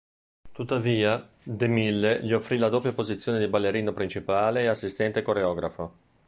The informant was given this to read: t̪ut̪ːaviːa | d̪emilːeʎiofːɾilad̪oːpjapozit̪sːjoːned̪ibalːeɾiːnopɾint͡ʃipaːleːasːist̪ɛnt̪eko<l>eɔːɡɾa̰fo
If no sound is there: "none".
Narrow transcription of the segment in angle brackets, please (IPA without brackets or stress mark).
ɾ